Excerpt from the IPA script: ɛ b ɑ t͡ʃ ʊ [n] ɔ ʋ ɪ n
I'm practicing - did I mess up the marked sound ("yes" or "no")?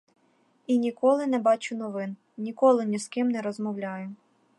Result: no